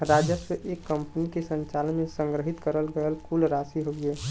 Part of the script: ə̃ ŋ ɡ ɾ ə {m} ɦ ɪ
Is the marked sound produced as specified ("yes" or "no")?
no